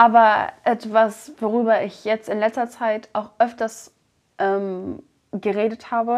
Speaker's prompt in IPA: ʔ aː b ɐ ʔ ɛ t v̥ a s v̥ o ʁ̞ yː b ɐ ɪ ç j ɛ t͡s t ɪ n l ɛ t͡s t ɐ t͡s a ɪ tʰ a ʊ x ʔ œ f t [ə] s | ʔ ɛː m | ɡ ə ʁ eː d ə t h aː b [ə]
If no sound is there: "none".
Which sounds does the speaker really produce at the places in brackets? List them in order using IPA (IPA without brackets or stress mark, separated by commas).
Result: ɐ, ə